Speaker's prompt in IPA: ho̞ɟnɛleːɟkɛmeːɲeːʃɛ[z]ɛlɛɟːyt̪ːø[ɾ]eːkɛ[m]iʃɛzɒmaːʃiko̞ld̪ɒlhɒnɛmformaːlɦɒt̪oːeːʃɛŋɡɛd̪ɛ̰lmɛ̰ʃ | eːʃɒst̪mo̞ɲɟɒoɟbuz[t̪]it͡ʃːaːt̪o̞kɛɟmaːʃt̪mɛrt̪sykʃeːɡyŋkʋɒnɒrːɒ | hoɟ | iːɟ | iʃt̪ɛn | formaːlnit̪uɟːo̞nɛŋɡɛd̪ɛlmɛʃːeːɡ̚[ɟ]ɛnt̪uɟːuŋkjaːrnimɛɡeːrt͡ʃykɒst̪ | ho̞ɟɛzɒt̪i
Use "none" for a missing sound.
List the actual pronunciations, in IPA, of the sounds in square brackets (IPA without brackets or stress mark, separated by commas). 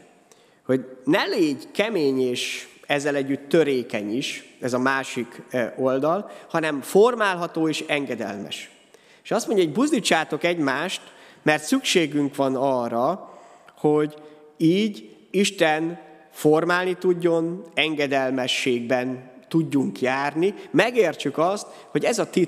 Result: zː, ɾ, ɲ, d̪, b